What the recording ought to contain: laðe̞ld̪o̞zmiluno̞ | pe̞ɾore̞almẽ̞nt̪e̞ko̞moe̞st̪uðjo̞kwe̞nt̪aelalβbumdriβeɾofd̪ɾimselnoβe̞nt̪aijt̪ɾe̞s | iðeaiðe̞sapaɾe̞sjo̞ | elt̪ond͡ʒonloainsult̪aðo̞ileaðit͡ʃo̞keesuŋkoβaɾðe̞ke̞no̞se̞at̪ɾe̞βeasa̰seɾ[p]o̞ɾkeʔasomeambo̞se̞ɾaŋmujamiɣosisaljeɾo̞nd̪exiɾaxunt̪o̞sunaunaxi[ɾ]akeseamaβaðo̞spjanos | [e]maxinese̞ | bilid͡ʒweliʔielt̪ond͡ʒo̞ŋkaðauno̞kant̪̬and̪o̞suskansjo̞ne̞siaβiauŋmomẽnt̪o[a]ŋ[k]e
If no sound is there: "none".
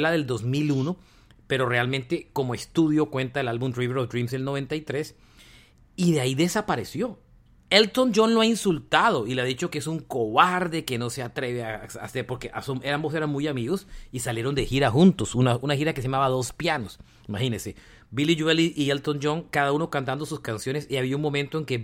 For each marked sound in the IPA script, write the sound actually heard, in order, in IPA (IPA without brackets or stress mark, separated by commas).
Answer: p, ɾ, i, e, k